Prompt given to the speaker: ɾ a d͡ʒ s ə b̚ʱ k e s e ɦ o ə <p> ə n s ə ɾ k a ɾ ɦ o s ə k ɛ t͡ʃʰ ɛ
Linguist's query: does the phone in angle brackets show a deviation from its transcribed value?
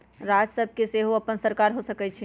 no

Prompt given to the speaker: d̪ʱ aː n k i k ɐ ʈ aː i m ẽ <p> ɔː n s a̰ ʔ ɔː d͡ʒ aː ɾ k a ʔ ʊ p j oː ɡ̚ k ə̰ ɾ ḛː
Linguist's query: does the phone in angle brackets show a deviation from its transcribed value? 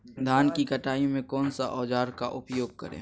yes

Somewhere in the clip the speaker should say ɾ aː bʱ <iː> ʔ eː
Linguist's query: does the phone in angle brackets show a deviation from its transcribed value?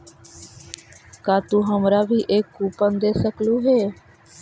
no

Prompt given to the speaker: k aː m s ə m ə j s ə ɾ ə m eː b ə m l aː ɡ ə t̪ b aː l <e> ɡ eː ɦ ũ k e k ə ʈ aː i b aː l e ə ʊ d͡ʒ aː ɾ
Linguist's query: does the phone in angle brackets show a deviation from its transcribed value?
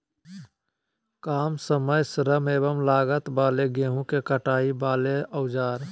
no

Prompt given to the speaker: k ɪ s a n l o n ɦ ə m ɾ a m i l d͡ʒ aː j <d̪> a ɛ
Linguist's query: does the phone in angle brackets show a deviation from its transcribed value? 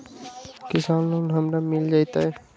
yes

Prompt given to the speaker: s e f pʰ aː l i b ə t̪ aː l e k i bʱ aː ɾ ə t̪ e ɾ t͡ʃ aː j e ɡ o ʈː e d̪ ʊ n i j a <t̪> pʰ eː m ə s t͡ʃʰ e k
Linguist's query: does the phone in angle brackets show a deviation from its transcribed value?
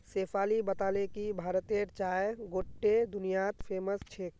no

